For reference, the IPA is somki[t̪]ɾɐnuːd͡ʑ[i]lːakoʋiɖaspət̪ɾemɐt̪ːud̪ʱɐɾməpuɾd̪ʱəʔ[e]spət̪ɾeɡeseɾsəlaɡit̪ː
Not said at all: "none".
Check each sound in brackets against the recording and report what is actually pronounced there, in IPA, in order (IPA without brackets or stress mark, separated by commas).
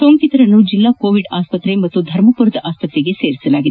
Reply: t̪, i, a